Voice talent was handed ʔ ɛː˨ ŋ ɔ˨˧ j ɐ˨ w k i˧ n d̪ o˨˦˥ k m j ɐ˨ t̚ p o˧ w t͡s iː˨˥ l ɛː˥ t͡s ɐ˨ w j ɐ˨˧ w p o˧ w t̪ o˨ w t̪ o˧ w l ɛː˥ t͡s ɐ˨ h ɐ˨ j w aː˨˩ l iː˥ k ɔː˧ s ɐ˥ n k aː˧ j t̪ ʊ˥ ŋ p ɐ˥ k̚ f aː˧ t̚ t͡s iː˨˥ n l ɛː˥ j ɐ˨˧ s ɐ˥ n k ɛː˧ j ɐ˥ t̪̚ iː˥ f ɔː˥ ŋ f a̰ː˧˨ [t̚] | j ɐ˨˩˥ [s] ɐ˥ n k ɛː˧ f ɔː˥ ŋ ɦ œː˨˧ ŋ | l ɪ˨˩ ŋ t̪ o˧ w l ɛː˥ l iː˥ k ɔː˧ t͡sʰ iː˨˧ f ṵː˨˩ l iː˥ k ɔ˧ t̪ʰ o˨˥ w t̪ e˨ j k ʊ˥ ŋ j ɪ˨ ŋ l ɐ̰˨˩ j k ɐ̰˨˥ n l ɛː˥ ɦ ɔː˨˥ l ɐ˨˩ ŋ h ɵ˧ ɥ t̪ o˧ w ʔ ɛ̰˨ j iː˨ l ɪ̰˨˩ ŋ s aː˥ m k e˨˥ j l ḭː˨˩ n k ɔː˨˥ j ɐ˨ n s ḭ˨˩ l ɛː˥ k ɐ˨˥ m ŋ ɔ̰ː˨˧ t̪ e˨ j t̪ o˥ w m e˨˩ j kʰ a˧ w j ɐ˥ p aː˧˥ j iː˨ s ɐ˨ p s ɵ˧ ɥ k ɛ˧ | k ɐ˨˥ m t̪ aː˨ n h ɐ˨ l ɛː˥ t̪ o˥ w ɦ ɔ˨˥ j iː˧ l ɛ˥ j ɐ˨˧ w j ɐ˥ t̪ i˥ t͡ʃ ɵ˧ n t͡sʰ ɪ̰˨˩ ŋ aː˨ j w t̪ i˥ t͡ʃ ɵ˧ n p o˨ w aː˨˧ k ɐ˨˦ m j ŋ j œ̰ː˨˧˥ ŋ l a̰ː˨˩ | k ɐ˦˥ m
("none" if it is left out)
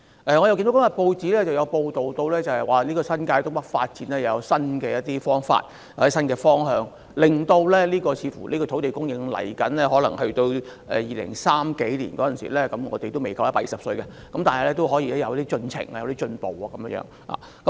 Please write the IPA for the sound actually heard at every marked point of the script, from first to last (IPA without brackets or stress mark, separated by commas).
t̚, s